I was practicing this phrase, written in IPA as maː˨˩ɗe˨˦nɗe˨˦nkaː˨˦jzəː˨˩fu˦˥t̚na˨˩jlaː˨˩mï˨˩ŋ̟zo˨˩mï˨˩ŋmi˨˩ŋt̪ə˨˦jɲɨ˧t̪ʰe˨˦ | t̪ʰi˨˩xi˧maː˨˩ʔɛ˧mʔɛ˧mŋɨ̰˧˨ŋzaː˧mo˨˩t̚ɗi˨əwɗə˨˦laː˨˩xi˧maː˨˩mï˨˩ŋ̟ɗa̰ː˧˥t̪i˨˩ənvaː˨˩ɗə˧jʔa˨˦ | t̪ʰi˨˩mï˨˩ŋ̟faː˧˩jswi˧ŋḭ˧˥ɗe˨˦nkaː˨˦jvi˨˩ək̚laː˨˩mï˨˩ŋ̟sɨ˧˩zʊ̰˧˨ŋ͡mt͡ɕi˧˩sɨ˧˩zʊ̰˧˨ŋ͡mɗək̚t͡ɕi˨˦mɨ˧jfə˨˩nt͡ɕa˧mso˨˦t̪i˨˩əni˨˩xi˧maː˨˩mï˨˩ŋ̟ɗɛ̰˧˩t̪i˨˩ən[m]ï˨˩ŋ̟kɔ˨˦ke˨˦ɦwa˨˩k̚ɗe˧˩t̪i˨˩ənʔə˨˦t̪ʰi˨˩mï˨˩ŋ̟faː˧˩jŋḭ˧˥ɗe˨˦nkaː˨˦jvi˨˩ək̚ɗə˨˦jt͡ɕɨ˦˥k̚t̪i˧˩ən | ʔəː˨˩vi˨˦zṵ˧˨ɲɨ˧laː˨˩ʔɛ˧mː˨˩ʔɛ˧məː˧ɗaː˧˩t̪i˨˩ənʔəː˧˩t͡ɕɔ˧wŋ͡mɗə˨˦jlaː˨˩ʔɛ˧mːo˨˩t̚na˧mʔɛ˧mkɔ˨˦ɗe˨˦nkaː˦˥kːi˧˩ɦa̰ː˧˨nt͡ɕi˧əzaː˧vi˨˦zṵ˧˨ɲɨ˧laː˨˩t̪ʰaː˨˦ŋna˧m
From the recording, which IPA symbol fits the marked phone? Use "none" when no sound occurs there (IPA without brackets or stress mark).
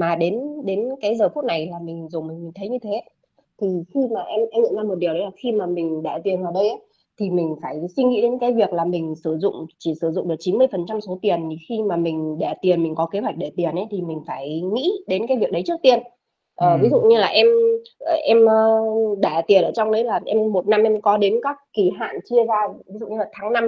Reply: m